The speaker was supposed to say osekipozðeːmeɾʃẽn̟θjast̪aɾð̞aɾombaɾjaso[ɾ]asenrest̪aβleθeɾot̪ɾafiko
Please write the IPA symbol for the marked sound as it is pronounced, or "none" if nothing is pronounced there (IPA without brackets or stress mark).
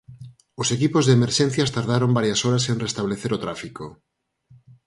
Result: ɾ